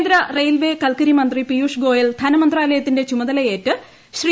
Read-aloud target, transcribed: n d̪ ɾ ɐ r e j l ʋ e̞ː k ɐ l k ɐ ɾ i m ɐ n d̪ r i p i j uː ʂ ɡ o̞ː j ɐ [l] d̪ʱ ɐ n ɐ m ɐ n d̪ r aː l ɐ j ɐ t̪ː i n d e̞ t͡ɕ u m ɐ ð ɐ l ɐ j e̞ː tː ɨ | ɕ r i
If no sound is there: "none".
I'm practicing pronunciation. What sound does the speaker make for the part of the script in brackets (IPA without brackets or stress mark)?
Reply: l